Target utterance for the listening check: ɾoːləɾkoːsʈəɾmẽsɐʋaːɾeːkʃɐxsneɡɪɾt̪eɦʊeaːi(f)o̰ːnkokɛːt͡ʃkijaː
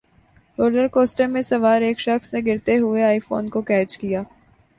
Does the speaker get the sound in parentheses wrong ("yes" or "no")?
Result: no